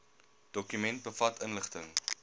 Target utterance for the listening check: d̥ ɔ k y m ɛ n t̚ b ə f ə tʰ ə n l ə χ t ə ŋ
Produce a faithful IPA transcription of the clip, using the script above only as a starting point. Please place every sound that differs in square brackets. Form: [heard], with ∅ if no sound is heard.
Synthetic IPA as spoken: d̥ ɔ k y m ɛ n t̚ b ə f [ɐ] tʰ ə n l ə χ t ə ŋ